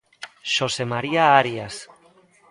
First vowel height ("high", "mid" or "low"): mid